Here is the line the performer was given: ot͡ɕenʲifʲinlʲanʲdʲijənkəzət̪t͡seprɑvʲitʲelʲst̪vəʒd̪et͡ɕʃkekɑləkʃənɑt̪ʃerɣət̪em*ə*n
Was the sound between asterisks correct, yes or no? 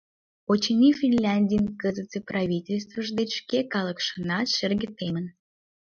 yes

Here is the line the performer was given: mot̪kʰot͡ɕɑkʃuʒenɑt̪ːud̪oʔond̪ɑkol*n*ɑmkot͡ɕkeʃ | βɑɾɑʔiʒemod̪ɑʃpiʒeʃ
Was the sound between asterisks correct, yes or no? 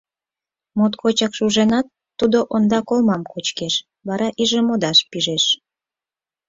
no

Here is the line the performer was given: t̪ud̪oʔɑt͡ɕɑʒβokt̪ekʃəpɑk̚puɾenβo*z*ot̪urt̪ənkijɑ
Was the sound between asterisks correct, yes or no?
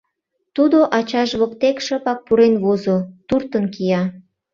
yes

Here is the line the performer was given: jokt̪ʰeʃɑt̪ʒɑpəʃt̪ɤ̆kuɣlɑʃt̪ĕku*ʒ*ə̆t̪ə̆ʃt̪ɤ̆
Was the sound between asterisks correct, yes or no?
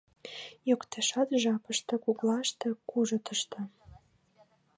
yes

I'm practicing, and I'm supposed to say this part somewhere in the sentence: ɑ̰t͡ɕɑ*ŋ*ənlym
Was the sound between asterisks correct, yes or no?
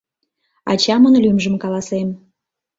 no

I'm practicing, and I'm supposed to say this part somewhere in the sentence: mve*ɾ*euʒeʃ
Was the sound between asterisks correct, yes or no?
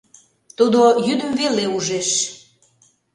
no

